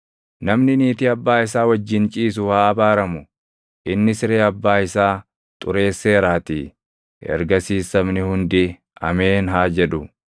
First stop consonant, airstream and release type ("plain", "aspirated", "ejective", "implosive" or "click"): plain